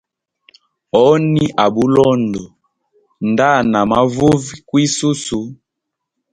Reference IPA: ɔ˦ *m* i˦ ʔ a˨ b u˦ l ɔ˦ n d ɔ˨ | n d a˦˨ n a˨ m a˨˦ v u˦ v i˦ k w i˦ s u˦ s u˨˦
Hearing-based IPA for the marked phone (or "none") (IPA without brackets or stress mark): n